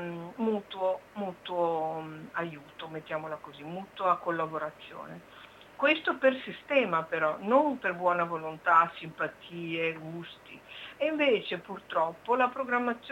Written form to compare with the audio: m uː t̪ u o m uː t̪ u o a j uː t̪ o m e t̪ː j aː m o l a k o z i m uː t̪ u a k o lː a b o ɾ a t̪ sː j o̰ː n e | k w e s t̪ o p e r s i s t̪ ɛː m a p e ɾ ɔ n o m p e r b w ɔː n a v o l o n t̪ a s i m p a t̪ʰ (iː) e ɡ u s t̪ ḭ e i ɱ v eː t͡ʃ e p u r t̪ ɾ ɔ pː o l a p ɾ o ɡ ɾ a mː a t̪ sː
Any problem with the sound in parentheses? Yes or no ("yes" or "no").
no